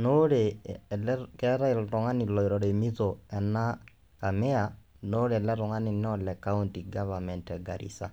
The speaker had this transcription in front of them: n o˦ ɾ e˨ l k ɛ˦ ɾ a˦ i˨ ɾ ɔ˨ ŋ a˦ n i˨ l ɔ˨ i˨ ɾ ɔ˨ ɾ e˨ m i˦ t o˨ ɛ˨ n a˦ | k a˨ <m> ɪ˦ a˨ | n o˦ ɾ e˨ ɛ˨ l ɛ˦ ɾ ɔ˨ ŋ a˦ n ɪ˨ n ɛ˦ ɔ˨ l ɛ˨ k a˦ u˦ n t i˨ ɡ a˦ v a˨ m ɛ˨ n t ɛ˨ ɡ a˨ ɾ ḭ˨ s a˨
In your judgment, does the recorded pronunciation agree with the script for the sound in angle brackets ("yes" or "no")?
yes